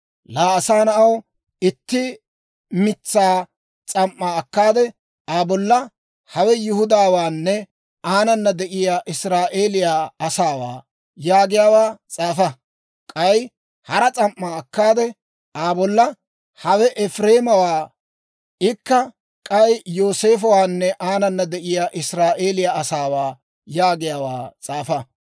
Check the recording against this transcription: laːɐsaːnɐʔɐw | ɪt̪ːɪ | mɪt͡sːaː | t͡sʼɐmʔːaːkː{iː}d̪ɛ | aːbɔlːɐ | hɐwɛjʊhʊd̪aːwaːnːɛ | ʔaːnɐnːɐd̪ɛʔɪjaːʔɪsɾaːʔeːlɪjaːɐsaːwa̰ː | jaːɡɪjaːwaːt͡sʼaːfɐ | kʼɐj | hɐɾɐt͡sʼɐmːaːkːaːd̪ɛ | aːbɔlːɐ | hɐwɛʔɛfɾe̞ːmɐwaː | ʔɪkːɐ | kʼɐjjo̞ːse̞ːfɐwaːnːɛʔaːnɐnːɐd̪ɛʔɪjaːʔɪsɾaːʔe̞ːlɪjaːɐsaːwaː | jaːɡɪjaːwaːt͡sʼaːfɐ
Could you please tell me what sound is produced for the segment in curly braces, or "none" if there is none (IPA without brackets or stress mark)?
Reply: aː